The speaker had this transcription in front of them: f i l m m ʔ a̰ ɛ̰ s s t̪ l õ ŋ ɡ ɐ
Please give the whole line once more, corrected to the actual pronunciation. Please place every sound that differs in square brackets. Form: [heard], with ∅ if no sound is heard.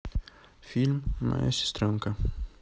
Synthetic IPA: f i l m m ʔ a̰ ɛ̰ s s t̪ [ɾ] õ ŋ [k] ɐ